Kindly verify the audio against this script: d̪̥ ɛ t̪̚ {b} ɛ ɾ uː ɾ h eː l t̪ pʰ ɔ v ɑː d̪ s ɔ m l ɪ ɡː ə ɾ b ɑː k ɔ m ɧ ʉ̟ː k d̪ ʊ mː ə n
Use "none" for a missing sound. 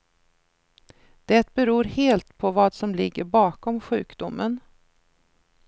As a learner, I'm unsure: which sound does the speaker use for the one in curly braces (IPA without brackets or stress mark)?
b